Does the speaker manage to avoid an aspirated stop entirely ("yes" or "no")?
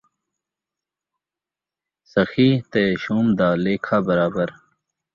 no